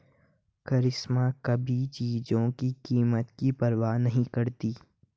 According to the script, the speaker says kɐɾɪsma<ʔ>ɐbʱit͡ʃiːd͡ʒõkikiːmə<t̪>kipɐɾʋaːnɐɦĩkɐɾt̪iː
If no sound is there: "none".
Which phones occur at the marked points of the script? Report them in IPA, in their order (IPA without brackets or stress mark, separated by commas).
k, t̪